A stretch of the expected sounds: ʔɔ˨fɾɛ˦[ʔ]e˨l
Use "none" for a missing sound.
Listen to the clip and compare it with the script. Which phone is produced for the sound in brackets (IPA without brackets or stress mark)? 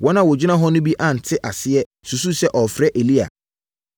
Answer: ʔ